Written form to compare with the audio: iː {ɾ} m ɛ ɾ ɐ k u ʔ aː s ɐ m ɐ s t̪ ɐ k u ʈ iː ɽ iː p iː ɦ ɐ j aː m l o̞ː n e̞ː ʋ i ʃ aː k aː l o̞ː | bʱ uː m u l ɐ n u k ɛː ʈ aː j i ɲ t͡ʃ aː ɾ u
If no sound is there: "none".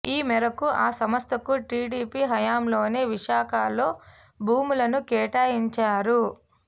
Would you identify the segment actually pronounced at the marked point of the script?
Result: none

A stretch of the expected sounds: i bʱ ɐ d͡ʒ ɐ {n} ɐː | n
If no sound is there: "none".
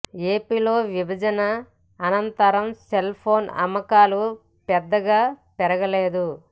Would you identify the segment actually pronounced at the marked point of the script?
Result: n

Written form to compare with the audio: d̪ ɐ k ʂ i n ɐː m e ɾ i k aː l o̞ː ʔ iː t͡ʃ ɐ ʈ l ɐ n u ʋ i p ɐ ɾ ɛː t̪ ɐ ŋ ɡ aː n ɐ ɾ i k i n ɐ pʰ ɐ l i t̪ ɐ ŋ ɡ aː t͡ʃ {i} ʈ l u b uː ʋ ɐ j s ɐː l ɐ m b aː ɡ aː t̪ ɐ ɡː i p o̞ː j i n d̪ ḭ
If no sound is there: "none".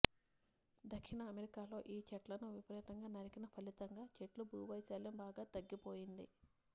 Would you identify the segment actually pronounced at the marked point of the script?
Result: e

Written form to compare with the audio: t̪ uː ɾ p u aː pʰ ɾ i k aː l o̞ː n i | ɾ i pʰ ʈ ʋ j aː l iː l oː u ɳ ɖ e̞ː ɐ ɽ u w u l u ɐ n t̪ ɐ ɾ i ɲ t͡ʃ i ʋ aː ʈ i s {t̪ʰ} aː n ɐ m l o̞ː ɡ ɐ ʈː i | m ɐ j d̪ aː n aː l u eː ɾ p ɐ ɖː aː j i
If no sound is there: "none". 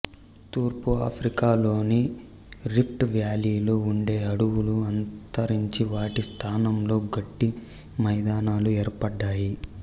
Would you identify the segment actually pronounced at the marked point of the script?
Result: t̪ʰ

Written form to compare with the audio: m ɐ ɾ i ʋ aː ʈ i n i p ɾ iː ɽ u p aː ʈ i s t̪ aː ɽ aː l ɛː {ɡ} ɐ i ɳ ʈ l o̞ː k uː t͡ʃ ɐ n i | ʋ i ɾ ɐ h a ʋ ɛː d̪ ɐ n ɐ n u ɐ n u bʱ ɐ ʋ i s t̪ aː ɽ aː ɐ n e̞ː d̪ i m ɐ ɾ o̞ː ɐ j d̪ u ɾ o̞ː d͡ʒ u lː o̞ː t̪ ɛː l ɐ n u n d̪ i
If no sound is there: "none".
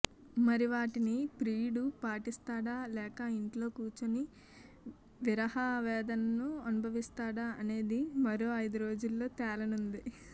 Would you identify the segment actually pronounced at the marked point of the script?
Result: k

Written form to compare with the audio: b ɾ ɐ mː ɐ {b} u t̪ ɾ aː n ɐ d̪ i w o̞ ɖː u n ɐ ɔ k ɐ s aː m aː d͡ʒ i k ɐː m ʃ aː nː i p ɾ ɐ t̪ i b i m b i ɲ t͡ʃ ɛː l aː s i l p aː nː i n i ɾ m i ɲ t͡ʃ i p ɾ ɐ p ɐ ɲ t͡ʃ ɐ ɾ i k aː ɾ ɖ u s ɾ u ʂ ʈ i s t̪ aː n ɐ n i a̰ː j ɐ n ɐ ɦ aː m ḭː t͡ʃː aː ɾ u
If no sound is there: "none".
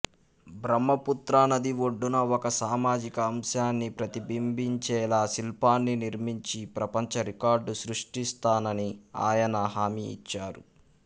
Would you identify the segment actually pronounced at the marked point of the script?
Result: p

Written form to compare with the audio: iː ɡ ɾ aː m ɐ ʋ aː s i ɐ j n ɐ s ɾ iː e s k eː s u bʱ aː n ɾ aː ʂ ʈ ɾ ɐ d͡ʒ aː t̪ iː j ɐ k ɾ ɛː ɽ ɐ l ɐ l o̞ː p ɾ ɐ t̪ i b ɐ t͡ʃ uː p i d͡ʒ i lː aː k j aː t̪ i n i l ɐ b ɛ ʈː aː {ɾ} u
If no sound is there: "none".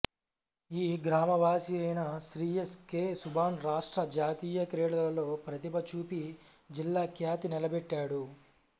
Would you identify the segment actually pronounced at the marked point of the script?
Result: ɽ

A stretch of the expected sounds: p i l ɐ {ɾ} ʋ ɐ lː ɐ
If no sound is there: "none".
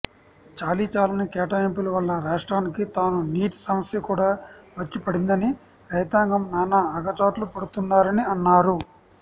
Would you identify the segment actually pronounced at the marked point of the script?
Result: none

